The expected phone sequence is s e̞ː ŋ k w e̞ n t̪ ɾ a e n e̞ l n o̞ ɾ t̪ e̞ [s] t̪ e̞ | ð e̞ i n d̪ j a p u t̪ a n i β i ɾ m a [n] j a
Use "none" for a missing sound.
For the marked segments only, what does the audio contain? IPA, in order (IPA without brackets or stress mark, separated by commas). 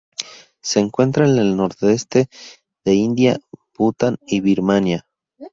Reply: s, n